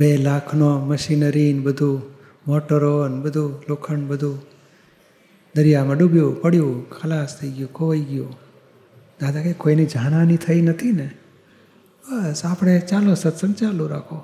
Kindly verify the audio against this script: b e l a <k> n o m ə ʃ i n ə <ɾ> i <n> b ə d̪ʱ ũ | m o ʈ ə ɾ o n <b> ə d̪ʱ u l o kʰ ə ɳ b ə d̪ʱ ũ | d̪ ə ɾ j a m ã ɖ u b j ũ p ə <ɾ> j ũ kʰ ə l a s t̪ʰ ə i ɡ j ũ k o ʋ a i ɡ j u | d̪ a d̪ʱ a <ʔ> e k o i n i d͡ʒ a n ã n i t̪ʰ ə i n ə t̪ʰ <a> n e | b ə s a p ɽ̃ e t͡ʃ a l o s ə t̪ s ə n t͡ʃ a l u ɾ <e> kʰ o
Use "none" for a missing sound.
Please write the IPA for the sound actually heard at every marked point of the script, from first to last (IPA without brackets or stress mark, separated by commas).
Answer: kʰ, ɾ, n, b, ɽ, k, i, a